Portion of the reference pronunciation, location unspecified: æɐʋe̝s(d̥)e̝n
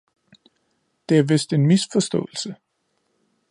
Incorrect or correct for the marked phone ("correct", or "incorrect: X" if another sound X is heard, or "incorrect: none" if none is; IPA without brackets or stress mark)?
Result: correct